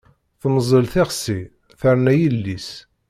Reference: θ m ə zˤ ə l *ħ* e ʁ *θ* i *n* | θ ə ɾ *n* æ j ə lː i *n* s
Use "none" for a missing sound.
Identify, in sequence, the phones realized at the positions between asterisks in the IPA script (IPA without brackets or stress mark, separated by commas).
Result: θ, s, none, n, none